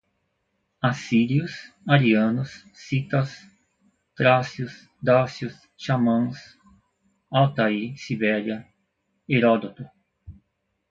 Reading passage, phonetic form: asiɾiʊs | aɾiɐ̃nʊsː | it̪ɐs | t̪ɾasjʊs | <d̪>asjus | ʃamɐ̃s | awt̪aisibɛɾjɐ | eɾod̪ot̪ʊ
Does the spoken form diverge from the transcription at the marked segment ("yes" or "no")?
no